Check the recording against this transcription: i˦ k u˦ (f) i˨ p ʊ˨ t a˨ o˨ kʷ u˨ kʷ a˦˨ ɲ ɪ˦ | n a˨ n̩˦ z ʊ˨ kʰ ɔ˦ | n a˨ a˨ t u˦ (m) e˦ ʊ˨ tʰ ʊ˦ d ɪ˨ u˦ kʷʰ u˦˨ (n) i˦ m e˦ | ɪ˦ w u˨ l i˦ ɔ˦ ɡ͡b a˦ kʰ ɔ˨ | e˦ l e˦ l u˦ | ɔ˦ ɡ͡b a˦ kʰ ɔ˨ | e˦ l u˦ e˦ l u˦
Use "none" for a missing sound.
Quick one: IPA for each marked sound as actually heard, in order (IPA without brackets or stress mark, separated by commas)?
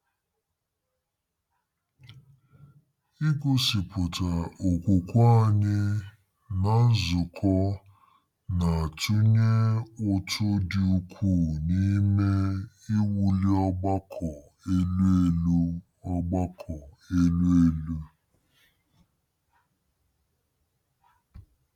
s, ɲ, n